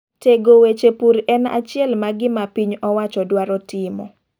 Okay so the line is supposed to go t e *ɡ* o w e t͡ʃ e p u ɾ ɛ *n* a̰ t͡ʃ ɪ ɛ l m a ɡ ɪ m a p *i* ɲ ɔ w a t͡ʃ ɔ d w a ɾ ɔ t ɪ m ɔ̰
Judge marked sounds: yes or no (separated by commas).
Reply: yes, yes, yes